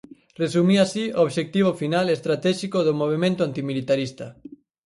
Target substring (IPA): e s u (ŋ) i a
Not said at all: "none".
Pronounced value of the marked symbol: m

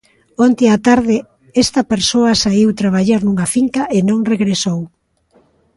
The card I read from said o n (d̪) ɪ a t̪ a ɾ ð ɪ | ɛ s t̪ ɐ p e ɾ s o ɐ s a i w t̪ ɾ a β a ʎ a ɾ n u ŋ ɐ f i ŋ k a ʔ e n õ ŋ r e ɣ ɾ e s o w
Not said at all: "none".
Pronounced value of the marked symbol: t̪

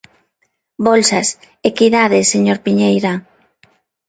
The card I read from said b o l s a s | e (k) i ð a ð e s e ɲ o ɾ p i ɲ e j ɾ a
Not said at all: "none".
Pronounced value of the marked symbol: k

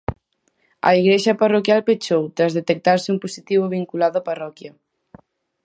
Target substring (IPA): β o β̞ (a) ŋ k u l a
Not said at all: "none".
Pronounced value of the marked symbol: i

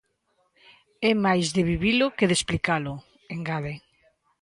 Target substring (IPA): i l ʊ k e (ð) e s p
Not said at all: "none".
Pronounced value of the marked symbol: ð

